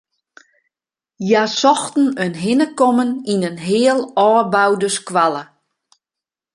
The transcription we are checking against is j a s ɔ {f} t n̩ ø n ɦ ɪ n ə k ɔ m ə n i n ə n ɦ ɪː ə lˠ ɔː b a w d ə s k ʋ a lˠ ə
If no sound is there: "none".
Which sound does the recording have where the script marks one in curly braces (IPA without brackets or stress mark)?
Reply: x